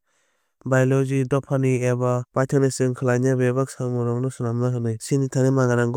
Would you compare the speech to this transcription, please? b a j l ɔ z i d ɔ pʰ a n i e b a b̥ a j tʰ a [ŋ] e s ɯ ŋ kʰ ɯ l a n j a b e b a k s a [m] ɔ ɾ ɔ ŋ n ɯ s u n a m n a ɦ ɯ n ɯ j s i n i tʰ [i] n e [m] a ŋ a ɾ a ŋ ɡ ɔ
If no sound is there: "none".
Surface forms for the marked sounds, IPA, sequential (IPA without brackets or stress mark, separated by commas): n, m, a, m